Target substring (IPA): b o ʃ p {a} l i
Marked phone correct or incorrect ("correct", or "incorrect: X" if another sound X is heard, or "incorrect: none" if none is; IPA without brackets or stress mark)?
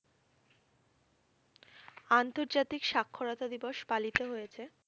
correct